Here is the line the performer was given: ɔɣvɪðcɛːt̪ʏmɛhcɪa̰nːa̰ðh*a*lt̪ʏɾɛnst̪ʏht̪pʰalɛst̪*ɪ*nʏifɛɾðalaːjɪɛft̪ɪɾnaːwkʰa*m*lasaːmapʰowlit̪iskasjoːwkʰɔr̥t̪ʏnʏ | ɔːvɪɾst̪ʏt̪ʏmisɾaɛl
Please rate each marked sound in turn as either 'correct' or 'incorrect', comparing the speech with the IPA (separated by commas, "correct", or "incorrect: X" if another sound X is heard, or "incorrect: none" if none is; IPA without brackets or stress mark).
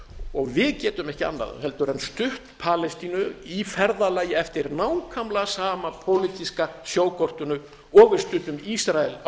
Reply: incorrect: ɛ, incorrect: i, correct